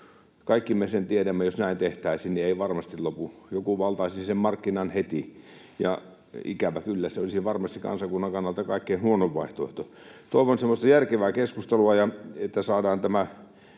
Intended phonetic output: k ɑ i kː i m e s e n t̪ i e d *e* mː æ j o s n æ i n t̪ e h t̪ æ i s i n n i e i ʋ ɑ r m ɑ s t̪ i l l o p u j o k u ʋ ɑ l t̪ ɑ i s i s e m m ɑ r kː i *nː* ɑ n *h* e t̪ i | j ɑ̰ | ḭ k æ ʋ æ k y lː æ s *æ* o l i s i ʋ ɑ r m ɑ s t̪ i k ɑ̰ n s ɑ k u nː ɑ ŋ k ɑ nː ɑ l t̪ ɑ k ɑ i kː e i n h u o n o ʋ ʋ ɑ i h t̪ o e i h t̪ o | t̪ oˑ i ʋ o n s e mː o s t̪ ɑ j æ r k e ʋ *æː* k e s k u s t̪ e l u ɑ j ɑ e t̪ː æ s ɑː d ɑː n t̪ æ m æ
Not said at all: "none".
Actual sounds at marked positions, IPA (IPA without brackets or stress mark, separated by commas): æ, n, h, e, æː